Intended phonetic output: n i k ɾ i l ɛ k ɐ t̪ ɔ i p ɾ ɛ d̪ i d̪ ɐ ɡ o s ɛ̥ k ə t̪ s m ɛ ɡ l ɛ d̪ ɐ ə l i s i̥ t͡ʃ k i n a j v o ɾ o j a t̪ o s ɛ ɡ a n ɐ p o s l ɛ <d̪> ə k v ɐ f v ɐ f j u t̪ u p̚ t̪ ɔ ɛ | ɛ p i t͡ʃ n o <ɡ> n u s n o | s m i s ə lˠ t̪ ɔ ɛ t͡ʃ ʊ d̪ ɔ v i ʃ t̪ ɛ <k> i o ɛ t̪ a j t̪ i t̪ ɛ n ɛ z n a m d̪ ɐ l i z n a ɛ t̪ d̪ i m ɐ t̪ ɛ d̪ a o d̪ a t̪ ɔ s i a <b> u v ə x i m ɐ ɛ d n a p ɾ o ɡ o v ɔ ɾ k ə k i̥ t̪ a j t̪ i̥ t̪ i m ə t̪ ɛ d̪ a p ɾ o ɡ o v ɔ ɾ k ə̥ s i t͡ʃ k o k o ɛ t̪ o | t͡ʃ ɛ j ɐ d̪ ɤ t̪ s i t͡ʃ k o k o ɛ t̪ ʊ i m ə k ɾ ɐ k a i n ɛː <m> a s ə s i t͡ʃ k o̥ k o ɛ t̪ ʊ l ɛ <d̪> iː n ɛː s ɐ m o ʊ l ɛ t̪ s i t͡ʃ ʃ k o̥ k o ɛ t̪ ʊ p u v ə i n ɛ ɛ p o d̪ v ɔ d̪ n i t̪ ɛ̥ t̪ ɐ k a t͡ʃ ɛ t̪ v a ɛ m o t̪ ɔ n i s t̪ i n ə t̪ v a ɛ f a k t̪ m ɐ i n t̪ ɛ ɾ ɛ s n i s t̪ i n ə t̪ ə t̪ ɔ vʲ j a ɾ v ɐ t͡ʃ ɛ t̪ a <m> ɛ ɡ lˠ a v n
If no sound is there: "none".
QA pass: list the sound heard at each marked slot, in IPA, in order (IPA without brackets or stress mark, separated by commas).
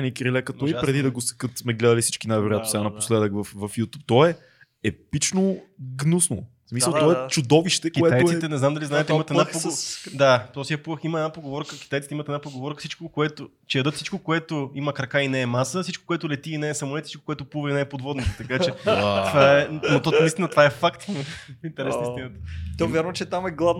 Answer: d̪, ɡ, k, p, m, t̪, m